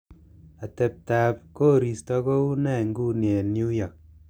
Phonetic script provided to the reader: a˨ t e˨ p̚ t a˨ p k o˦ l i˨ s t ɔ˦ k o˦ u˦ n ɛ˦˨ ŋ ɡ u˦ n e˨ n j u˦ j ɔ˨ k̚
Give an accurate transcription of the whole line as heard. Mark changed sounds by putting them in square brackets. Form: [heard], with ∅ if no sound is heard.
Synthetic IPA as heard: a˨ t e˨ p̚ t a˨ p k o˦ [ɾ] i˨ s t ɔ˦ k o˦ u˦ n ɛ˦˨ ŋ ɡ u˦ n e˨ n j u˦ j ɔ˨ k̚